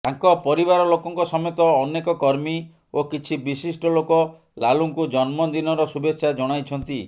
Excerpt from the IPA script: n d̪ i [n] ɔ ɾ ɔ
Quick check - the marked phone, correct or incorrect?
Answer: correct